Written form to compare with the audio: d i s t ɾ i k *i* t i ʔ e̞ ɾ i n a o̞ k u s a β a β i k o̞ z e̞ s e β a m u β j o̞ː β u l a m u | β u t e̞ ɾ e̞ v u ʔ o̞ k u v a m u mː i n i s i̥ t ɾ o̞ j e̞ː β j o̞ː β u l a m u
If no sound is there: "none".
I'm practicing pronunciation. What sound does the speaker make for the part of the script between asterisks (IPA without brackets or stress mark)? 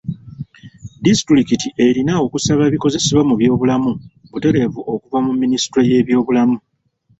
i